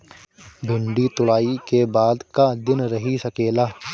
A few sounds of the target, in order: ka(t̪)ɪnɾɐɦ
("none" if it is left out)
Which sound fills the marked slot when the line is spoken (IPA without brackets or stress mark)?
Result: d̪